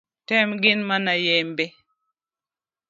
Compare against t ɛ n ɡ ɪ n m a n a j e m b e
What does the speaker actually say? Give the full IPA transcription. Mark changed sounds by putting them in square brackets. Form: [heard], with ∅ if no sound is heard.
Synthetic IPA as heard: t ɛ [m] ɡ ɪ n m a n a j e m b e